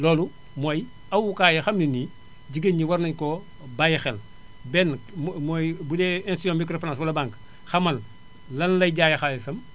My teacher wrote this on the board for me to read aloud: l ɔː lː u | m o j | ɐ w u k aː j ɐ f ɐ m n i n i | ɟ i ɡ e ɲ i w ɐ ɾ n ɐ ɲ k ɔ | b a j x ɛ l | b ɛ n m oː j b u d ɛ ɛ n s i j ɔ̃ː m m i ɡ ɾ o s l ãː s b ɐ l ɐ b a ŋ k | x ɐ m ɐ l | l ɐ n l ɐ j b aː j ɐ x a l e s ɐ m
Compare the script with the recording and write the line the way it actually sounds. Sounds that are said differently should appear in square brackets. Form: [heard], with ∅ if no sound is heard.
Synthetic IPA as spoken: l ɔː [l] u | m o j | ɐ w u k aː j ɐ [x] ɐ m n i n i | ɟ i ɡ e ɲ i w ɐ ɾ n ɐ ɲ k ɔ | b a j x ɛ l | b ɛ n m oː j b u d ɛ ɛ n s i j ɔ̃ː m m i [k] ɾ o [f] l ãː s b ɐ l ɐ b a ŋ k | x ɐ m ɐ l | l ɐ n l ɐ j [ɟ] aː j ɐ x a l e s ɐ m